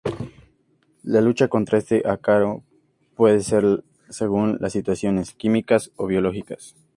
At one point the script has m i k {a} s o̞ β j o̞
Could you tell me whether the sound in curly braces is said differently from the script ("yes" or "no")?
no